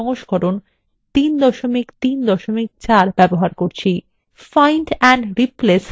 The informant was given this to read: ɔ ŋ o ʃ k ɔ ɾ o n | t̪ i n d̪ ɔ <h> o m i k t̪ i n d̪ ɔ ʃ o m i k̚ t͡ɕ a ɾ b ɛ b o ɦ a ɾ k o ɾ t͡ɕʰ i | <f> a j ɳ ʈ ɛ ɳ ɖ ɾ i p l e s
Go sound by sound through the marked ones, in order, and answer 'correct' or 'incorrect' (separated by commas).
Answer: incorrect, correct